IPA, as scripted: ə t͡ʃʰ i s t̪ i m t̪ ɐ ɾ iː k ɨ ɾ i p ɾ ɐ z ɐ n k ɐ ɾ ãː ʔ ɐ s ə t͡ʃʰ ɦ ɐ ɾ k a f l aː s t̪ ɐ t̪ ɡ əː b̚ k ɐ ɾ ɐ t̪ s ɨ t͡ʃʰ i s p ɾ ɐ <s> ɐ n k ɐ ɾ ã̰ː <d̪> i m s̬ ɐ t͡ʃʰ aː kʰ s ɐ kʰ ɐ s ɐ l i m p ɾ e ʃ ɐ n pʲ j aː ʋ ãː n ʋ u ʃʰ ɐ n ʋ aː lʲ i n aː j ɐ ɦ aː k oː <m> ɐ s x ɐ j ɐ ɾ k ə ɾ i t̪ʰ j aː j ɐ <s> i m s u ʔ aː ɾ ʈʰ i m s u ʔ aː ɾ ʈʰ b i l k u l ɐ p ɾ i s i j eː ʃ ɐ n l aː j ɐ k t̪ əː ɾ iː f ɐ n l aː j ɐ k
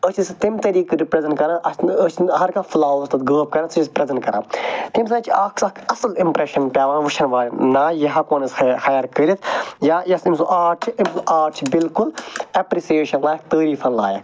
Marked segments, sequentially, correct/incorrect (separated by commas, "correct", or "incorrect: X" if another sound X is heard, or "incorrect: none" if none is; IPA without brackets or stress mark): incorrect: z, incorrect: t̪, incorrect: n, correct